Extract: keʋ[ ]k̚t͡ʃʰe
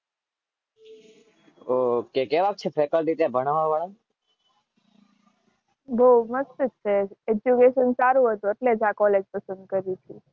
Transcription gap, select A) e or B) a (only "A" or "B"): B